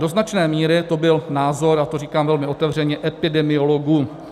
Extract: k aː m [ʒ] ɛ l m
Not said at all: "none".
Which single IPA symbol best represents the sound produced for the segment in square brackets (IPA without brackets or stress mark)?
v